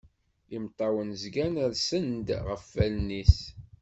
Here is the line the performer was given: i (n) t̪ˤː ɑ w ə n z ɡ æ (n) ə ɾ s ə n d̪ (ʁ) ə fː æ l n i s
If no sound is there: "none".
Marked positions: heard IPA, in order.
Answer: m, n, ʁ

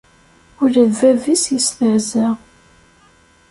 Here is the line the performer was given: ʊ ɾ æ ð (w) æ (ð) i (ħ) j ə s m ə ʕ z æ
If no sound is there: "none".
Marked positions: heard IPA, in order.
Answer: v, v, s

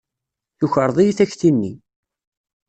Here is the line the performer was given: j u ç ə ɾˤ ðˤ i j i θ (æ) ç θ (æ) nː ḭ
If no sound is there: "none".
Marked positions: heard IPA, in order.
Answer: æ, i

